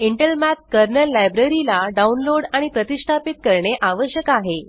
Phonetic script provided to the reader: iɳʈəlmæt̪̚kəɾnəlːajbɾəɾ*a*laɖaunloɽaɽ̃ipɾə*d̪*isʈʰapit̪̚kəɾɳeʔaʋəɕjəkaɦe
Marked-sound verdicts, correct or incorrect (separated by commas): incorrect, incorrect